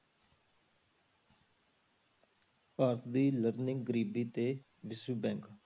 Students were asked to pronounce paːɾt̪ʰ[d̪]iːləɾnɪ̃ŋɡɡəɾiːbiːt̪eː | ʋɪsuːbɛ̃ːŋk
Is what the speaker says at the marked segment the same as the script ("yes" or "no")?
yes